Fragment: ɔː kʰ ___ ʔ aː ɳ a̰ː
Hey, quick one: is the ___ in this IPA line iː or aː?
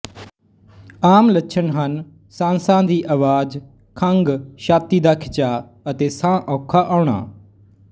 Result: aː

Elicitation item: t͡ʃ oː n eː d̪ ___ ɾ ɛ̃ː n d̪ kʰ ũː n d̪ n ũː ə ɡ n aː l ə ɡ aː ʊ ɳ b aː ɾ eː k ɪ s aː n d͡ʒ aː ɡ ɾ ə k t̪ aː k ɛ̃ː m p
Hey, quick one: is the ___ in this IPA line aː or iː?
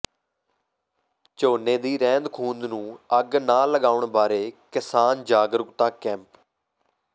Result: iː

